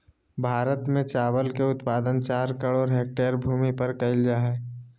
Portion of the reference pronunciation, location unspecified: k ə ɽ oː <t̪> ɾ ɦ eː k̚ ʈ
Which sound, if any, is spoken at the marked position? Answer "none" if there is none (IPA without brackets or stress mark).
none